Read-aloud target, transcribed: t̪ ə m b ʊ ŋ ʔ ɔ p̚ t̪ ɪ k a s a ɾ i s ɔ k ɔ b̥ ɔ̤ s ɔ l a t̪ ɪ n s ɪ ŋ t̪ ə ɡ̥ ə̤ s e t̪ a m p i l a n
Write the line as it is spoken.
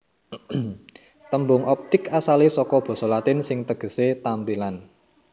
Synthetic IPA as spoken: t̪ ə m b ʊ ŋ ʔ ɔ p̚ t̪ ɪ k a s a l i s ɔ k ɔ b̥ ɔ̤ s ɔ l a t̪ ɪ n s ɪ ŋ t̪ ə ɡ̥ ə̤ s e t̪ a m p i l a n